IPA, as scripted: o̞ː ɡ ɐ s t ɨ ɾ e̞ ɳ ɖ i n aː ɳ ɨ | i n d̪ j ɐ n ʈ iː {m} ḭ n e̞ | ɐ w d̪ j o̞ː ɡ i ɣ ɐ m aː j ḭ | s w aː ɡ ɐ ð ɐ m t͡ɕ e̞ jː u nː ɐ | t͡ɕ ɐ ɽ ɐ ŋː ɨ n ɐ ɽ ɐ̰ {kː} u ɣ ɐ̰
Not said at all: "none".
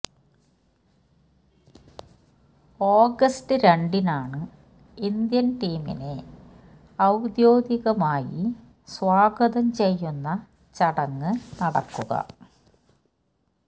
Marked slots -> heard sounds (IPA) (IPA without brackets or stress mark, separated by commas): m, kː